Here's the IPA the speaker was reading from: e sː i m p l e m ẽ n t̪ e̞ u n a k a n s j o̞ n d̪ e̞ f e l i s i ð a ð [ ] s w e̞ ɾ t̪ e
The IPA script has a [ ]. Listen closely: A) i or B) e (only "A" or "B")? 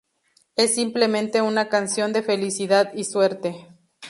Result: A